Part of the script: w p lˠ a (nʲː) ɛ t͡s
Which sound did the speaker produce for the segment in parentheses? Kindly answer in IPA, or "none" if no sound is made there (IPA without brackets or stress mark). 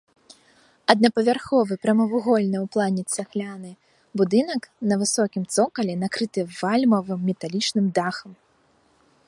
nʲ